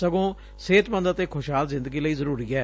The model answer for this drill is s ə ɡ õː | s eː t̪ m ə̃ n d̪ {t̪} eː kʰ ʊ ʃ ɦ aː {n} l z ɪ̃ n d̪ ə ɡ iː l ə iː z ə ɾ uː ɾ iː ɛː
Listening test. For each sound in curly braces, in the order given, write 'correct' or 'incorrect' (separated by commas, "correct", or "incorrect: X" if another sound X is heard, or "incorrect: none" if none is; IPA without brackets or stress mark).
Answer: correct, incorrect: none